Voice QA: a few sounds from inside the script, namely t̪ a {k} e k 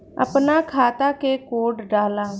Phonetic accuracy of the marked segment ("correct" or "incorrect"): correct